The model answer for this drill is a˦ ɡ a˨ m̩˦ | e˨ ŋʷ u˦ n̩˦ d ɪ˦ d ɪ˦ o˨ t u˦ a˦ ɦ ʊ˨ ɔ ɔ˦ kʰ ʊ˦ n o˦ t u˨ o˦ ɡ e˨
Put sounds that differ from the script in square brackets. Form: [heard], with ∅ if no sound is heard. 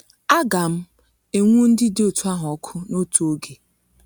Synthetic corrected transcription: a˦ ɡ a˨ m̩˦ | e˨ ŋʷ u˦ n̩˦ d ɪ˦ d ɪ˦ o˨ t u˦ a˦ ɦ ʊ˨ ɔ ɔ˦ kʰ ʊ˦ n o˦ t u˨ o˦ ɡ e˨